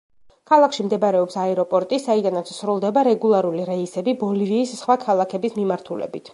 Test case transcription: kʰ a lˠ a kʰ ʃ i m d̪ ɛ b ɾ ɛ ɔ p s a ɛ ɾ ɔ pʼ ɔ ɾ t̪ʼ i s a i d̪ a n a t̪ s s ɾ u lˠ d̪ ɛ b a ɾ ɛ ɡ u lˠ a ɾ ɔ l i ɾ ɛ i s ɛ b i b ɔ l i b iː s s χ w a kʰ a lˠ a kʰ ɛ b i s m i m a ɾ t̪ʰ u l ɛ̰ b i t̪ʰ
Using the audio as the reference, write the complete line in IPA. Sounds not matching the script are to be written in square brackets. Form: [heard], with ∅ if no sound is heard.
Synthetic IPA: kʰ a lˠ a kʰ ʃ i m d̪ ɛ b ɾ ɛ ɔ p s a ɛ ɾ ɔ pʼ ɔ ɾ t̪ʼ i s a i d̪ a n a t̪ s s ɾ u lˠ d̪ ɛ b a ɾ ɛ ɡ u lˠ a ɾ [u] l i ɾ ɛ i s ɛ b i b ɔ l i [v] iː s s χ w a kʰ a lˠ a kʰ ɛ b i s m i m a ɾ t̪ʰ u l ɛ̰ b i t̪ʰ